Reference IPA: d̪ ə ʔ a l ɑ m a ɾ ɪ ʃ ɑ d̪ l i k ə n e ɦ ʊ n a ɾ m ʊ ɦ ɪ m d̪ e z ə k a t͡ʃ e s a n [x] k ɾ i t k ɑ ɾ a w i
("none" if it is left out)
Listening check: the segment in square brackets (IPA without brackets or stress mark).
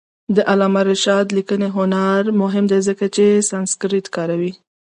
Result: s